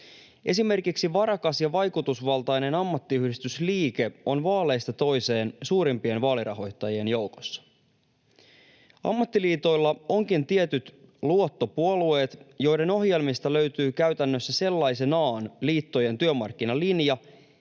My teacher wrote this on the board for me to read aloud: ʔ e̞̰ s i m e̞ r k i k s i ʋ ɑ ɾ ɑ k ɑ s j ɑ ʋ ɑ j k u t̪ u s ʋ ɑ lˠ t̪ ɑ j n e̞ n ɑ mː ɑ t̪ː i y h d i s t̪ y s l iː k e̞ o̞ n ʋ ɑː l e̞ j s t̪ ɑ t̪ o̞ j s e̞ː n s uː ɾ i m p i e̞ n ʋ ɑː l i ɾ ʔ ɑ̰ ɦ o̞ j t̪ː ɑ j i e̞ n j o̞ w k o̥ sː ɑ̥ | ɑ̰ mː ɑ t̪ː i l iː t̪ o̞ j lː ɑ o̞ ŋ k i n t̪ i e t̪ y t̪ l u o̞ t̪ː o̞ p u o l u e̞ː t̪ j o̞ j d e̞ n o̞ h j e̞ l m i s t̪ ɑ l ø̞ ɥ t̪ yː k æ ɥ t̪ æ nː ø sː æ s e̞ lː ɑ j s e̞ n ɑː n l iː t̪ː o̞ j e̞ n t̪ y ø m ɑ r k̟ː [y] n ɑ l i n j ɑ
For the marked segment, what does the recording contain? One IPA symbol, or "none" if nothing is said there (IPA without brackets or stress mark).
i